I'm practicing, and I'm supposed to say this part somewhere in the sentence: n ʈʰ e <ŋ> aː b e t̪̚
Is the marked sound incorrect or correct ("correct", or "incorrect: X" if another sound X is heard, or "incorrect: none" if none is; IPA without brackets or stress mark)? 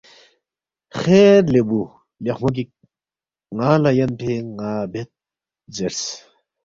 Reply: correct